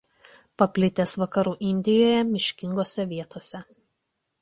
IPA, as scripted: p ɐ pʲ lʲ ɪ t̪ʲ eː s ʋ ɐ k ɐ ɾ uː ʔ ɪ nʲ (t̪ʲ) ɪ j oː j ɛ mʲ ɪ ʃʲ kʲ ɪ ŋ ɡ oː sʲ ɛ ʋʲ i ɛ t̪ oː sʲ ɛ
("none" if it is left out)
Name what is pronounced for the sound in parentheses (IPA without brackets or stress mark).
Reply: d̪ʲ